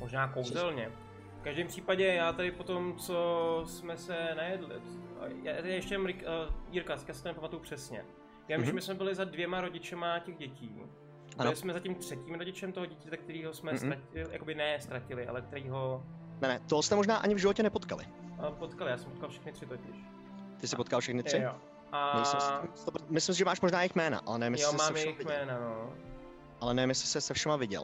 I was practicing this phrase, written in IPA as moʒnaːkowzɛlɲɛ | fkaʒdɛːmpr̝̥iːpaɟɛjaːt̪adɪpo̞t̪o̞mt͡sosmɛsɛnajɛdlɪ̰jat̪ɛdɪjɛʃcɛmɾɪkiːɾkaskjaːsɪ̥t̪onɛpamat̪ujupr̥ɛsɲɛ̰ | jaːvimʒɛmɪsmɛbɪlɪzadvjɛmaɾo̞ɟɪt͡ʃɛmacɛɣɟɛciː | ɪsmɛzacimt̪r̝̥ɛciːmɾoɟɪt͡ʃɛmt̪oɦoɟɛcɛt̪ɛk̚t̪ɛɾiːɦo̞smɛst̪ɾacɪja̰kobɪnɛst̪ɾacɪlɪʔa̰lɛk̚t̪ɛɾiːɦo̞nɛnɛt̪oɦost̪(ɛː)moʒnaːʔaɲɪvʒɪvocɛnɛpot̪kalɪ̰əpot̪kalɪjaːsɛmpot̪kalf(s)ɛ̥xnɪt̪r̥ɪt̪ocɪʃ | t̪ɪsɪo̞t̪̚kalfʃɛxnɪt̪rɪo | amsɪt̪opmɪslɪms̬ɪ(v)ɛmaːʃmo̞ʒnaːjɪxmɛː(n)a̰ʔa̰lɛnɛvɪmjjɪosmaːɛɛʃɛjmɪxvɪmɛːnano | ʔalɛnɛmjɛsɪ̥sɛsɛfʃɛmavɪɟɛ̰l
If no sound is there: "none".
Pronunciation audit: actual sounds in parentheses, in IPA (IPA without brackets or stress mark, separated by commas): ɛ, ʃ, ʒ, n